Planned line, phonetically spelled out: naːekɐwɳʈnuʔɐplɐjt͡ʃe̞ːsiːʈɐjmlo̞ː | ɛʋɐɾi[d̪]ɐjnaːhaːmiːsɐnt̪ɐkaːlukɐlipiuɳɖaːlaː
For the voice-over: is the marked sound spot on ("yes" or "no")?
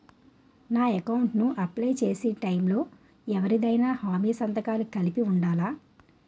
yes